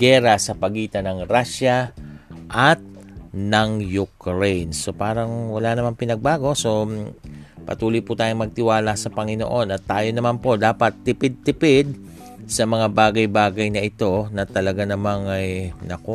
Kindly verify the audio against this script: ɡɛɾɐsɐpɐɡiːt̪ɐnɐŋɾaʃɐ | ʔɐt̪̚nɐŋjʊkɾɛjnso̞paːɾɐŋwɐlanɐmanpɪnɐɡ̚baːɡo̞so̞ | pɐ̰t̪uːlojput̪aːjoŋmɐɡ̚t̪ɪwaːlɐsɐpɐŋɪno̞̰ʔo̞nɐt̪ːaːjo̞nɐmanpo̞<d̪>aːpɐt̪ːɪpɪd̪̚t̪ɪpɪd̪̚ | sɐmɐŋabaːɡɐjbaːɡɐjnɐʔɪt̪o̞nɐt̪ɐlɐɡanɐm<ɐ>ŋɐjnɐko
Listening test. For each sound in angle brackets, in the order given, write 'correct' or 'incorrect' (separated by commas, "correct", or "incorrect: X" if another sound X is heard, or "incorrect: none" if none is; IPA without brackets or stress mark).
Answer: correct, incorrect: a